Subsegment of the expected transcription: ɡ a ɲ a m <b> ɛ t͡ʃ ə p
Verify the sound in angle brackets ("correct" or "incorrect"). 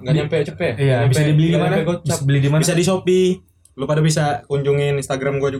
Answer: incorrect